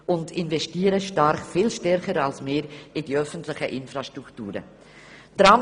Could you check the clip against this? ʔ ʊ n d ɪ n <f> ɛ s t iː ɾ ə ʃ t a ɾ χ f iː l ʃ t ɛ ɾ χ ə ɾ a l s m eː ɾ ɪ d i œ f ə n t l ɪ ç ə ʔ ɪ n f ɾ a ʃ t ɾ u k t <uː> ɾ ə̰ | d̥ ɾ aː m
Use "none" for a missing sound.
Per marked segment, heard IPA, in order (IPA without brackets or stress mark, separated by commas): v, uː